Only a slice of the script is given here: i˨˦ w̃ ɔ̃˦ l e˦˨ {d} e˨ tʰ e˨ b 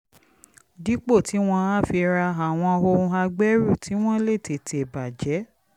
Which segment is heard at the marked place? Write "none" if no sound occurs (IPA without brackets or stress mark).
t